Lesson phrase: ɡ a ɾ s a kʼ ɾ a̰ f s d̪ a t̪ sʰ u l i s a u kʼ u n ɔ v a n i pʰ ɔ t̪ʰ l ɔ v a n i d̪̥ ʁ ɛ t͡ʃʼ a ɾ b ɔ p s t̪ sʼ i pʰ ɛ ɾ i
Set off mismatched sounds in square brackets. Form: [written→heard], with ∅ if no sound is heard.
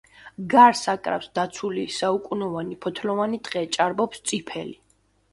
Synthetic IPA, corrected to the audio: ɡ a ɾ s a kʼ ɾ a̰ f s d̪ a t̪ sʰ u l i s a u kʼ u n ɔ v a n i pʰ ɔ t̪ʰ l ɔ v a n i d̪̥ ʁ ɛ t͡ʃʼ a ɾ b ɔ p s t̪ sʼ i pʰ ɛ [ɾ→l] i